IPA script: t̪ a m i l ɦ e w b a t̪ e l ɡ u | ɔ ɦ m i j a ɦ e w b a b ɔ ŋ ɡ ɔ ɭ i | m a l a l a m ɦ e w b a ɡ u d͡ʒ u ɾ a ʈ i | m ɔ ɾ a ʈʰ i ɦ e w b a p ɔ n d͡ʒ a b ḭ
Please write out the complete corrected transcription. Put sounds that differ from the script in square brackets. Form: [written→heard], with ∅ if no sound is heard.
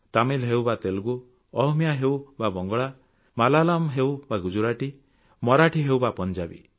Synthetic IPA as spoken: t̪ a m i l ɦ e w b a t̪ e l ɡ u | ɔ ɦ m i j a ɦ e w b a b ɔ ŋ ɡ ɔ ɭ [i→a] | m a l a l a m ɦ e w b a ɡ u d͡ʒ u ɾ a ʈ i | m ɔ ɾ a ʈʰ i ɦ e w b a p ɔ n d͡ʒ a b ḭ